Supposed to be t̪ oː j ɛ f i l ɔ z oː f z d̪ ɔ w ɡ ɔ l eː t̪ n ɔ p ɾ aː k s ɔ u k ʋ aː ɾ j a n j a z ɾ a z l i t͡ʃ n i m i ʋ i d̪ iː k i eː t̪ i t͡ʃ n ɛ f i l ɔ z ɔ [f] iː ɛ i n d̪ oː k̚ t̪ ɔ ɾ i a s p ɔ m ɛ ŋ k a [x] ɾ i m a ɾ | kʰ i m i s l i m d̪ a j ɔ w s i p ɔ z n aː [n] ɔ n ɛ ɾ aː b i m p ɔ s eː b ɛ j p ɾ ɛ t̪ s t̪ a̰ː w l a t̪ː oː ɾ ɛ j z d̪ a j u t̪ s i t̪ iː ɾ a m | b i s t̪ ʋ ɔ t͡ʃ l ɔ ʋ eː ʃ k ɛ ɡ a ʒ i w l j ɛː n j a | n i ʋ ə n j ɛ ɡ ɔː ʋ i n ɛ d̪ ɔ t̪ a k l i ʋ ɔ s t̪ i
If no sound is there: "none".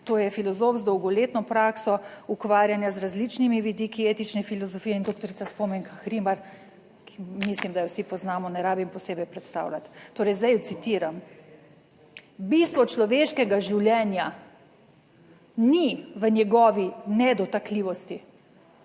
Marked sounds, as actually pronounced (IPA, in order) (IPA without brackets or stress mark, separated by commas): f, x, m